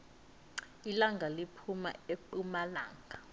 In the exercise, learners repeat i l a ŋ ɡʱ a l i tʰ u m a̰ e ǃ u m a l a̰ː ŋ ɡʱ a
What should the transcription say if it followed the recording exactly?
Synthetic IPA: i l a ŋ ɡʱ a l i pʰ u m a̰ e ǃ u m a l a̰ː ŋ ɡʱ a